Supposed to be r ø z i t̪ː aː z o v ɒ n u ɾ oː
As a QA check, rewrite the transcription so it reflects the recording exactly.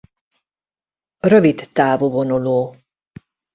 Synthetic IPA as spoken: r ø v i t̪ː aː v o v o n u l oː